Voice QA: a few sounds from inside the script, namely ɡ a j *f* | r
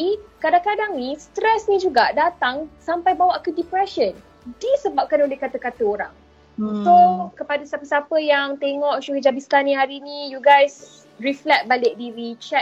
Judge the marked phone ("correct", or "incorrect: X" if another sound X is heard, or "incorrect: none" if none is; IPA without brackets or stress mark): incorrect: s